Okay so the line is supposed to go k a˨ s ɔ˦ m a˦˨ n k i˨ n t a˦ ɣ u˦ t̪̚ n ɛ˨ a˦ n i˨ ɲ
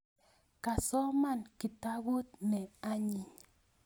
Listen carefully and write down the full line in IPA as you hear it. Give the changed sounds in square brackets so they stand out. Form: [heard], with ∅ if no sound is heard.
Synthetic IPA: k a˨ s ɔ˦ m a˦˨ n k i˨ [∅] t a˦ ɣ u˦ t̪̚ n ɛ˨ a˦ [ɲ] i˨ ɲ